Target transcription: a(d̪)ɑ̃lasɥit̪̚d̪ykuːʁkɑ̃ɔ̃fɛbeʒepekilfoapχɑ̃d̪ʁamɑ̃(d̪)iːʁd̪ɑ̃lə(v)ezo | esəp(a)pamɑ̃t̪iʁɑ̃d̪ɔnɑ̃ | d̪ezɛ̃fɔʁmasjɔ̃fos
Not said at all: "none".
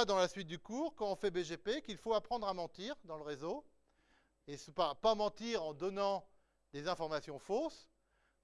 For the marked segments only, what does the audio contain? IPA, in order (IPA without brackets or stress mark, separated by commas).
d̪, t̪, ʁ, a